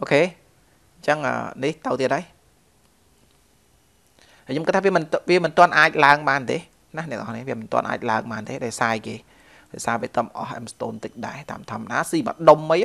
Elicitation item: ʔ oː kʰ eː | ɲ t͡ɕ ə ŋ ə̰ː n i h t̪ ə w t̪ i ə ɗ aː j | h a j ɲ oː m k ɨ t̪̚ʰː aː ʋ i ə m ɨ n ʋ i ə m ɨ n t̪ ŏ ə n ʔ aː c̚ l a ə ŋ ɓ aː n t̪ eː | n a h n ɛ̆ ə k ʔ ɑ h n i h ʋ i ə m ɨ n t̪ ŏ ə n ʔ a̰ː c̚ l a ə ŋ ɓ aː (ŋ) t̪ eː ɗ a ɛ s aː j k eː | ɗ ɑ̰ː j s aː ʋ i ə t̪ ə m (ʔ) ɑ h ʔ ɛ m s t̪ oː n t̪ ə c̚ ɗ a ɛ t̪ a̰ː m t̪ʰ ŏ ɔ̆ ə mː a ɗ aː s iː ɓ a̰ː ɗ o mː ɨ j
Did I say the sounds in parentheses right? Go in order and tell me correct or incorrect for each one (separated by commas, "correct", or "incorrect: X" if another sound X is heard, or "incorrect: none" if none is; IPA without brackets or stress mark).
incorrect: n, correct